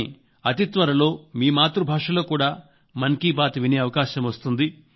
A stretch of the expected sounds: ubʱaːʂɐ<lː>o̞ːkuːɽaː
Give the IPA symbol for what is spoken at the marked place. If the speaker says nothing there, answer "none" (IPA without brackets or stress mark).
l